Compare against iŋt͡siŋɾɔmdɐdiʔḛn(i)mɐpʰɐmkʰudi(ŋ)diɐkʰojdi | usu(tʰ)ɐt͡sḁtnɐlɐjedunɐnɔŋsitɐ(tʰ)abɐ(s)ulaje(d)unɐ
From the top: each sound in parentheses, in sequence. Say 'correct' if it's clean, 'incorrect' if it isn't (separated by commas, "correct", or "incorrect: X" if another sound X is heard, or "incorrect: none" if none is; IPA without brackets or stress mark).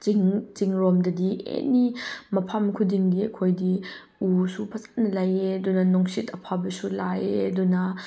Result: correct, correct, incorrect: pʰ, incorrect: pʰ, correct, correct